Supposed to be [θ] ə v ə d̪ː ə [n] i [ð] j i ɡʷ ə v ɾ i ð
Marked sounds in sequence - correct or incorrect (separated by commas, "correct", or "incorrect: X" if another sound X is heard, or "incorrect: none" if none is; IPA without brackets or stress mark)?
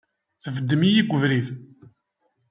correct, incorrect: m, incorrect: none